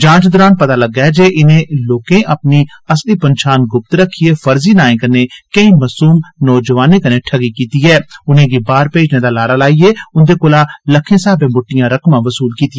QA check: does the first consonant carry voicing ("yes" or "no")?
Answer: yes